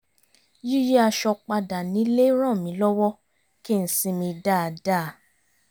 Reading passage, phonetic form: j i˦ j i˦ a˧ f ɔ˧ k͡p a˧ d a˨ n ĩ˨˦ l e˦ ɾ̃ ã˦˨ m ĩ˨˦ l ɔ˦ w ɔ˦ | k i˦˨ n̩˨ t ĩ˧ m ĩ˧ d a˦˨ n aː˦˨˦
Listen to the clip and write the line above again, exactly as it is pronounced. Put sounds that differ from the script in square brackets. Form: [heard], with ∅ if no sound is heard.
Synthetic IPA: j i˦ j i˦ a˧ [ʃ] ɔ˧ k͡p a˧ d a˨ n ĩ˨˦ l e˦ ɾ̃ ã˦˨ m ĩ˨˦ l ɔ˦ w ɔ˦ | k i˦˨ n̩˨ [s] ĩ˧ m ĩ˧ d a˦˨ [d] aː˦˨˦